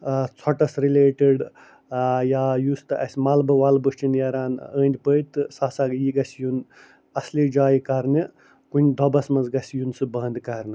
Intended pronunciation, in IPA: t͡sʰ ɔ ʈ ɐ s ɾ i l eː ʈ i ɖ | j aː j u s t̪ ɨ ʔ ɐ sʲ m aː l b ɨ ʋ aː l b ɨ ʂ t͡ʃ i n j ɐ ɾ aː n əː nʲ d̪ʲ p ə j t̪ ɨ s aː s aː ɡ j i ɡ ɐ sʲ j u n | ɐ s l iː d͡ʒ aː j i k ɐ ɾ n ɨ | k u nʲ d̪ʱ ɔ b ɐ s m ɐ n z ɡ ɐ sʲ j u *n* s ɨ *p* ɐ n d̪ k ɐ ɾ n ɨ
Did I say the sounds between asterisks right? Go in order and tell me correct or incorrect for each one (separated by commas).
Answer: correct, incorrect